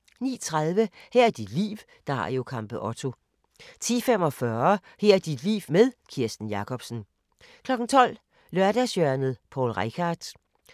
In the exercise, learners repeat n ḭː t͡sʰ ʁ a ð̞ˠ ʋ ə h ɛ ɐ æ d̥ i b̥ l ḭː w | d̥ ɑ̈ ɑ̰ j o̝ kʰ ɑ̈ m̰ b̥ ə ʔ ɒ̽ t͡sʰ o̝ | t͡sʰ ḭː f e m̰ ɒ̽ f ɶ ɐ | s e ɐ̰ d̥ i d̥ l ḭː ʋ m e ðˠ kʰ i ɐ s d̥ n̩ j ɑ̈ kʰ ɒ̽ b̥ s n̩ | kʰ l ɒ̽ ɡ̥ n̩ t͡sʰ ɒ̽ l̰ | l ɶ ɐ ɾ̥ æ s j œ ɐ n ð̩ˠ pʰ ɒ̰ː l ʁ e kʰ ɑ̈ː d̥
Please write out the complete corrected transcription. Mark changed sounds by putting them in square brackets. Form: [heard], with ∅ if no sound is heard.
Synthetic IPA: n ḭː t͡sʰ ʁ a ð̞ˠ ʋ ə h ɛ ɐ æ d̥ i [d̥] l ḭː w | d̥ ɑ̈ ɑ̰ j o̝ kʰ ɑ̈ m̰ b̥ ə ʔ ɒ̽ t͡sʰ o̝ | t͡sʰ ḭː f e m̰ ɒ̽ f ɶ ɐ | [h] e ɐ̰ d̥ i d̥ l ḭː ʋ m e ðˠ kʰ i ɐ s d̥ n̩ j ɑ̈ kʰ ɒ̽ b̥ s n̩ | kʰ l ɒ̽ ɡ̥ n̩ t͡sʰ ɒ̽ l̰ | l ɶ ɐ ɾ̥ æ s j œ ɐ n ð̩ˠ pʰ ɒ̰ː l ʁ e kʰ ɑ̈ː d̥